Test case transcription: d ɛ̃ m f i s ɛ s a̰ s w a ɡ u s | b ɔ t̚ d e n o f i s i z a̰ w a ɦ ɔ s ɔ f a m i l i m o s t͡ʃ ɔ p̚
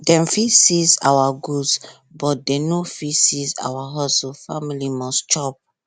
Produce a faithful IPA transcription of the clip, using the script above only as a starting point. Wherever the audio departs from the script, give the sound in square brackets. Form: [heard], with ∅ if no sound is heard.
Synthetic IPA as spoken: d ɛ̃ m f i s [i] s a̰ [∅] w a ɡ u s | b ɔ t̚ d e n o f i s i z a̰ w a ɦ ɔ s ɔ f a m i l i m [ɔ] s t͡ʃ ɔ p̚